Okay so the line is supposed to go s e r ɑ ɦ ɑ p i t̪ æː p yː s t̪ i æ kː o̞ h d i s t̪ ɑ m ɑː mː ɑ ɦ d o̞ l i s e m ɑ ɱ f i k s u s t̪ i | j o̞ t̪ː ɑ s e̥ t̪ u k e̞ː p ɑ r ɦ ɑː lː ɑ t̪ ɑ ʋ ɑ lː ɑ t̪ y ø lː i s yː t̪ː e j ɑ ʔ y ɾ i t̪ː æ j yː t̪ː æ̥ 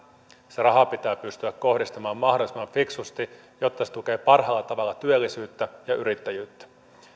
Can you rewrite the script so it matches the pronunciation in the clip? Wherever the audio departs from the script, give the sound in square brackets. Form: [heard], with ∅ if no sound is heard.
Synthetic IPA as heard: s e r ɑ ɦ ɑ p i t̪ æː p [y] s t̪ [y] æ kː o̞ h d i s t̪ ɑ m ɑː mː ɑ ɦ d o̞ l i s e m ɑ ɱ f i k s u s t̪ i | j o̞ t̪ː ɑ s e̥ t̪ u k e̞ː p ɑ r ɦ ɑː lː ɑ t̪ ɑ ʋ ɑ lː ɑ t̪ y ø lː i s yː t̪ː [æ] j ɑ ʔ y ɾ i t̪ː æ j yː t̪ː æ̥